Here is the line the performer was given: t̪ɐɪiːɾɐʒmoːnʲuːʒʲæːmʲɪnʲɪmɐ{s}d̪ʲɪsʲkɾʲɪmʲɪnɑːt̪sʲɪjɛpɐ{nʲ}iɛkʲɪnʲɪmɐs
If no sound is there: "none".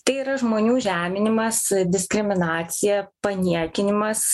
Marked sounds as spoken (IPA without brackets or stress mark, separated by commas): s, nʲ